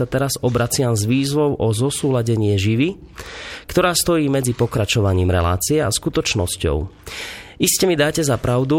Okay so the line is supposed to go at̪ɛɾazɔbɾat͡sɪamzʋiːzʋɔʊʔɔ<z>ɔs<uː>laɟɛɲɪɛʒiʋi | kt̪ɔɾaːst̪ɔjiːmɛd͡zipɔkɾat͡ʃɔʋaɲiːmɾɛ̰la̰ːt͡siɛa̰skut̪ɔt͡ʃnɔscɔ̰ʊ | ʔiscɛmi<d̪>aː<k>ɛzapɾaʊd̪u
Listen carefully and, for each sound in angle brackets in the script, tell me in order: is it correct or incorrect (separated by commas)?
correct, correct, correct, incorrect